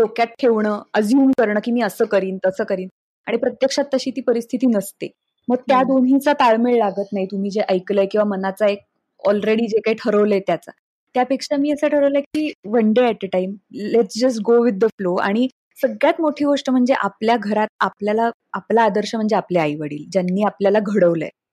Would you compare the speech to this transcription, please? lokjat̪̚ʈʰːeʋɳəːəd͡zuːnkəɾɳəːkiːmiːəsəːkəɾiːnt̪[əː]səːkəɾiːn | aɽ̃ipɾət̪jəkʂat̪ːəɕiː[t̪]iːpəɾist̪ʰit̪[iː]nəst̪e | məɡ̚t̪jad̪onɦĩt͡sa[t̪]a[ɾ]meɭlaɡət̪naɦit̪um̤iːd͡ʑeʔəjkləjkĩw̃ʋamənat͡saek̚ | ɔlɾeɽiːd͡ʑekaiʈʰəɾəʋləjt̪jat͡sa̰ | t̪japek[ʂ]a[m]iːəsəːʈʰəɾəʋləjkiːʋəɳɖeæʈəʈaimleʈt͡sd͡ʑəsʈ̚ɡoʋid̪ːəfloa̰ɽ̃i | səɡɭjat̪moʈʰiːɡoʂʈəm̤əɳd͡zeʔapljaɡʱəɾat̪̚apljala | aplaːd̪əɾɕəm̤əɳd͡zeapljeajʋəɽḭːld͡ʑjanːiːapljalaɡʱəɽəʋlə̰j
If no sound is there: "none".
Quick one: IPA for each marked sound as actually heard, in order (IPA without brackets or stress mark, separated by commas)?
ə, t̪, iː, t̪, ɭ, ʂ, m